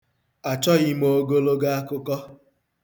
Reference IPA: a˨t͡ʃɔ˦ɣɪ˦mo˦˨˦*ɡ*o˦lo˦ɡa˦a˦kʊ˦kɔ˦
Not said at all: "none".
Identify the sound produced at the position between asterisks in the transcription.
ɡ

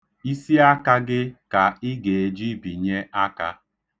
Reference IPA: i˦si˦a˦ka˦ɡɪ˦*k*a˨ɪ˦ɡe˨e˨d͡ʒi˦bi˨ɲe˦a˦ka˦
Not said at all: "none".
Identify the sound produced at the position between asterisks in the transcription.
k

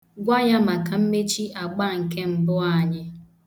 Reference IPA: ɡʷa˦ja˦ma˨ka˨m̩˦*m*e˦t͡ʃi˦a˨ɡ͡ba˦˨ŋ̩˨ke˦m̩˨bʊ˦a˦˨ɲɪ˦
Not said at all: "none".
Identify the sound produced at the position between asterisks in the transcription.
m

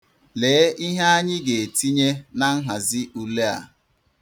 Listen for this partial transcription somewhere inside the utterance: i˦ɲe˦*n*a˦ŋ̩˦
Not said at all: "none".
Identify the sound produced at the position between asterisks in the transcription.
n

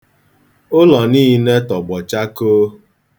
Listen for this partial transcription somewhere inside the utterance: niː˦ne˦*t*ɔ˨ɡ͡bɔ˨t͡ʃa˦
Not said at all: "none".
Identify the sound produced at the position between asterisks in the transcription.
t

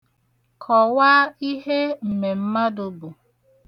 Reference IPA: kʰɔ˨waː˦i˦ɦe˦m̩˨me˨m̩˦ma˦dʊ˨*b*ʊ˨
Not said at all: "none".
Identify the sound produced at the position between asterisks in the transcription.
b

